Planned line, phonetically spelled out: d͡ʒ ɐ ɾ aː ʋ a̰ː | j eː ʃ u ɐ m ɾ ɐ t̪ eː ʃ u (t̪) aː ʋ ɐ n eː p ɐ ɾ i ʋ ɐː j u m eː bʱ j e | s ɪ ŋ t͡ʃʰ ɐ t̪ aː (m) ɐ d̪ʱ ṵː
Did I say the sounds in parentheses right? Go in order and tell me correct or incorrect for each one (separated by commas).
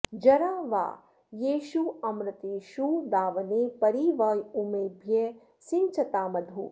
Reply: incorrect, correct